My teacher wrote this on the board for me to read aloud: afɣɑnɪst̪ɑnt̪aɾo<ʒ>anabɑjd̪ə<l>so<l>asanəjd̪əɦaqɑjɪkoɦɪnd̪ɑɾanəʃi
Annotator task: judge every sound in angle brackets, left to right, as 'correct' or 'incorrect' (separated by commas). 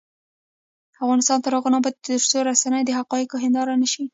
incorrect, incorrect, incorrect